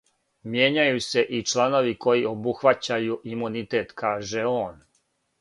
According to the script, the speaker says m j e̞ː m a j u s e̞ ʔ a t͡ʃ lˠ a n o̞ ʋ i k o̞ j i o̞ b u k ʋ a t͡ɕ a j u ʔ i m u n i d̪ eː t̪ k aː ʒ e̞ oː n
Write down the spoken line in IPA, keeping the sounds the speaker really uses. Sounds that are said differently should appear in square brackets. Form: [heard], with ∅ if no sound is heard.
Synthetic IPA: m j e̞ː [ɲ] a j u s e̞ ʔ [i] t͡ʃ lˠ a n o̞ ʋ i k o̞ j i o̞ b u [x] ʋ a t͡ɕ a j u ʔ i m u n i [t̪] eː t̪ k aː ʒ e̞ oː n